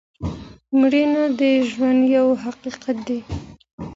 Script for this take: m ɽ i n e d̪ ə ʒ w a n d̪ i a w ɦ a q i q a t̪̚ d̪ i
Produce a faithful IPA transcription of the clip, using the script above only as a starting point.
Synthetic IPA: m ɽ i n a d̪ ə ʒ w a n d̪ j a w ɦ a q i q a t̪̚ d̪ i